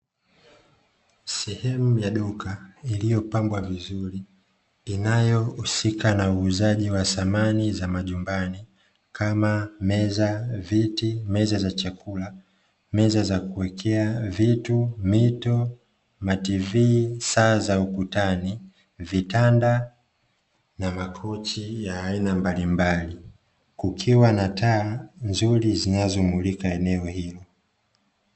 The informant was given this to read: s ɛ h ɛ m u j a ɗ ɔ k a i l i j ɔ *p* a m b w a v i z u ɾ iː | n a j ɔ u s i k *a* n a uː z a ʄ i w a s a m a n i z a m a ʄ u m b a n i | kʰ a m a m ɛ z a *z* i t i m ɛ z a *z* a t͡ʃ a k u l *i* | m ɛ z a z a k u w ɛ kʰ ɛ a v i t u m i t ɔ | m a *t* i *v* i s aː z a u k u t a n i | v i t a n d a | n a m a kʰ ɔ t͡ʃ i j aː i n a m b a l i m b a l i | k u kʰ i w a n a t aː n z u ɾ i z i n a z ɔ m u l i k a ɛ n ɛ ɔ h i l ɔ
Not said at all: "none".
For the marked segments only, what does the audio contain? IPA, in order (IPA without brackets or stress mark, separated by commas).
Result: p, a, v, z, a, t, v